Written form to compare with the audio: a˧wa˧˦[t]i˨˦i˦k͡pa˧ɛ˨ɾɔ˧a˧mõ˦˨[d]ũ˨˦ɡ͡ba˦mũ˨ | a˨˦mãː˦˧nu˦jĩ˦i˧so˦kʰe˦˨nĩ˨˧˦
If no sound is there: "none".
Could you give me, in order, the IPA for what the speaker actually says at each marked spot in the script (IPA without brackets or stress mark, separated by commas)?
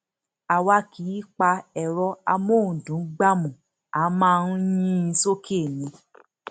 k, d